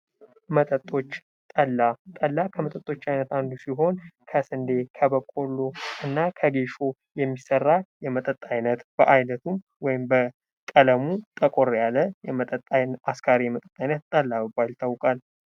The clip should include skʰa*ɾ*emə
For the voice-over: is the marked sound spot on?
yes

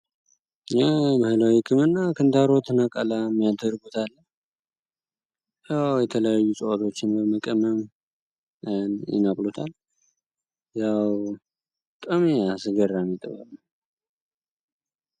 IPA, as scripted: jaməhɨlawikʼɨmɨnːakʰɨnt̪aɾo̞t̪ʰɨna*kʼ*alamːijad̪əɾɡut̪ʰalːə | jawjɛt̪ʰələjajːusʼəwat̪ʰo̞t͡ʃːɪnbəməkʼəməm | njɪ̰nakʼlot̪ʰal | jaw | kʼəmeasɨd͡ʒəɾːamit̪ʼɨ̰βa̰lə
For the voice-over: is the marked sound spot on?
yes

